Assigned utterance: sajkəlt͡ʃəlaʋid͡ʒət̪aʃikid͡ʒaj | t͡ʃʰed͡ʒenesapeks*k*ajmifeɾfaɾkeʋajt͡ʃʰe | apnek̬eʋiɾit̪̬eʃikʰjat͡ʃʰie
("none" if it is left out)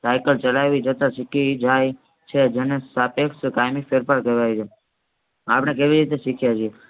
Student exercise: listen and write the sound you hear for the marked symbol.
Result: k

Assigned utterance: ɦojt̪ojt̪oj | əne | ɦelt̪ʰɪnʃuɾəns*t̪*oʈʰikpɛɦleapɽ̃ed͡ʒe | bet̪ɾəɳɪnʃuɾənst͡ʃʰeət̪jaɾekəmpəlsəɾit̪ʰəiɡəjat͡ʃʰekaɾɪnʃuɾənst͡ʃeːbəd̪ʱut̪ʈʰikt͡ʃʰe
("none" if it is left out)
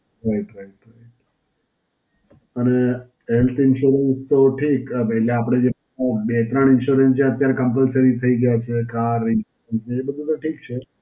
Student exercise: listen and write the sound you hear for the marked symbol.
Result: t̪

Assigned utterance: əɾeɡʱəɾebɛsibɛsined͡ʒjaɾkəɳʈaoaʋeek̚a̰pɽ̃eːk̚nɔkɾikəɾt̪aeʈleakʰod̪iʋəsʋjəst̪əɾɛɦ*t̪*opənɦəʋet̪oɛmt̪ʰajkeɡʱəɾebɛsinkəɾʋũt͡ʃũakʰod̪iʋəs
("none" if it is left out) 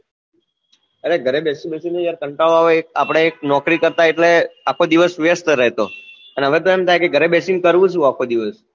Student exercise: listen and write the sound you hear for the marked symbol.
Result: t̪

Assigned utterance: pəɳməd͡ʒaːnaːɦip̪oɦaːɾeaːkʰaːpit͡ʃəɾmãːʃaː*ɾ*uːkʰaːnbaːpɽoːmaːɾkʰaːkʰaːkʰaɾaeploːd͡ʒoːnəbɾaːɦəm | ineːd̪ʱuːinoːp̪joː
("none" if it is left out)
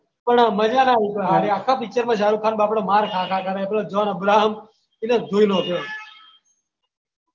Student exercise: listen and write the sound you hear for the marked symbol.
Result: ɾ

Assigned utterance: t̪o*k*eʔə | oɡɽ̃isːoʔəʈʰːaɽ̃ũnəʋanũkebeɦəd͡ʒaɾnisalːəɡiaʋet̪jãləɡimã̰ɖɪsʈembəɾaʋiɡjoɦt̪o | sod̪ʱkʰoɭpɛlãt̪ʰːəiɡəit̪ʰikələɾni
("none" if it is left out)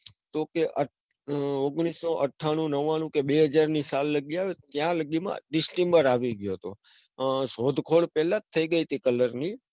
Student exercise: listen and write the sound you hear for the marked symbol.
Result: k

